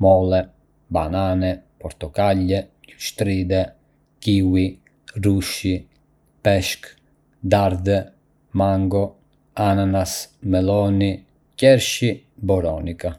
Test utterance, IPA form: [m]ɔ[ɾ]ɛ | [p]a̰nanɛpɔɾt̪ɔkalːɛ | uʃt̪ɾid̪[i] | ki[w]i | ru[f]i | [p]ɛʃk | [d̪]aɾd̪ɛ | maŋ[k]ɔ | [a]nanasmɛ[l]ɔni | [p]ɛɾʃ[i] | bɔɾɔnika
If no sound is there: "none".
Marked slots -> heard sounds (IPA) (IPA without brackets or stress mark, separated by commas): m, l, b, ɛ, w, ʃ, p, d̪, ɡ, a, l, c, i